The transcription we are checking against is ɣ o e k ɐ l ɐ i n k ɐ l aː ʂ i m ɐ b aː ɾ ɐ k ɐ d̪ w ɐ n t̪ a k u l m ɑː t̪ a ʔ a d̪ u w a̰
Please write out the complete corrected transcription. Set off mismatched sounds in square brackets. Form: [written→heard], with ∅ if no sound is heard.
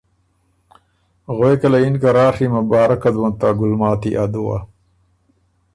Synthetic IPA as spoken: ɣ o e k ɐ l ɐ i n k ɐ [l→ɾ] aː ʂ i m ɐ b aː ɾ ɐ k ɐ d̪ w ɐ n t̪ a [k→ɡ] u l m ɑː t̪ [a→i] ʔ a d̪ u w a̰